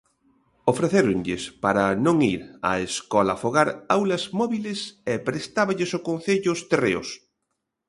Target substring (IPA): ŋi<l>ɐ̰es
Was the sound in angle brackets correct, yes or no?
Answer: no